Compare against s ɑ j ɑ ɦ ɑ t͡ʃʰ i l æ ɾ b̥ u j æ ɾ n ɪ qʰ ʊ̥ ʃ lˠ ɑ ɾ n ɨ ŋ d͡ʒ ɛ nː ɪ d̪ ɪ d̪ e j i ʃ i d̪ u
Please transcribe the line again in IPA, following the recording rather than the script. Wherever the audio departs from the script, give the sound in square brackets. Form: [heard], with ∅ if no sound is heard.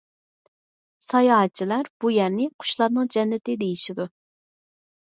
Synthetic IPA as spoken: s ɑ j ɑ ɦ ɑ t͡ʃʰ i l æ ɾ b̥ u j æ ɾ n ɪ qʰ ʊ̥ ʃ lˠ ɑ ɾ n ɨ ŋ d͡ʒ ɛ nː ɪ [t̪] ɪ d̪ e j i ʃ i d̪ u